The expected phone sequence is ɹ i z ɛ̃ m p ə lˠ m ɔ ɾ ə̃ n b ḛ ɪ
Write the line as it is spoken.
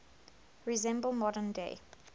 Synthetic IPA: ɹ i z ɛ̃ m b ə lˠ m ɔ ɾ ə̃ n d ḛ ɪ